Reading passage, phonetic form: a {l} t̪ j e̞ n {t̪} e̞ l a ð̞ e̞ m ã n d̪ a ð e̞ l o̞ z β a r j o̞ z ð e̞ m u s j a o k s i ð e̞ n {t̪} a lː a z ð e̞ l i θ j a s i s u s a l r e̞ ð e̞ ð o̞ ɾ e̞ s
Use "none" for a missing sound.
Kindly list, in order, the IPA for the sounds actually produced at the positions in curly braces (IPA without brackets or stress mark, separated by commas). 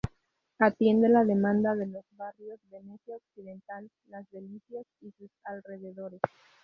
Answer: none, d̪, t̪